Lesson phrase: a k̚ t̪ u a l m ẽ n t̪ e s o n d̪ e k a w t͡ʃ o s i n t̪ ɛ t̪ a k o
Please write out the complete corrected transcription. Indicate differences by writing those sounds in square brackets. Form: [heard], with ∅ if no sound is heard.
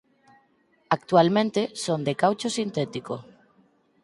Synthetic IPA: a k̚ t̪ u a l m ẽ n t̪ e s o n d̪ e k a w t͡ʃ o s i n t̪ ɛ t̪ [i] k o